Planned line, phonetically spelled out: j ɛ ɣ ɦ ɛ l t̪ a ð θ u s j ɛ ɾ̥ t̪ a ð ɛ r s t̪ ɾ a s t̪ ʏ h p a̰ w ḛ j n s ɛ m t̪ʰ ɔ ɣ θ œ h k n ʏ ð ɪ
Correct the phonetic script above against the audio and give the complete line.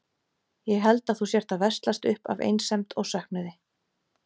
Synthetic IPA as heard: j ɛ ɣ ɦ ɛ l t̪ a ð θ u s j ɛ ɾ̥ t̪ a v ɛ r s t̪ l a s t̪ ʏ h p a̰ v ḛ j n s ɛ m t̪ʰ ɔ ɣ s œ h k n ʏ ð ɪ